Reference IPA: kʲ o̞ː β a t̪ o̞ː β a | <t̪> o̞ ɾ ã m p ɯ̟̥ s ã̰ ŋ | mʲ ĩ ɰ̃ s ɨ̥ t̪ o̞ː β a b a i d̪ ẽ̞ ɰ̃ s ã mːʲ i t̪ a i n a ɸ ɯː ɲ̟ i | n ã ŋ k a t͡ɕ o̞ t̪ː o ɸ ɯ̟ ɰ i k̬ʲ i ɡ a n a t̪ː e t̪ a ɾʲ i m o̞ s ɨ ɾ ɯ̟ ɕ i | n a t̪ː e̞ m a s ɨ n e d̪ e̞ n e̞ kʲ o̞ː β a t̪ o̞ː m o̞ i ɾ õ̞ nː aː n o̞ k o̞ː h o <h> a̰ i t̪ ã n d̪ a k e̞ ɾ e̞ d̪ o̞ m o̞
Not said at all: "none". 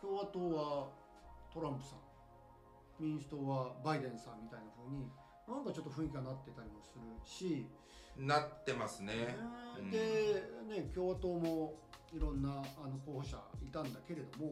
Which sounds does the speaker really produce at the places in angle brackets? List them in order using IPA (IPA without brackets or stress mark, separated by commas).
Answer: t̪, ɕ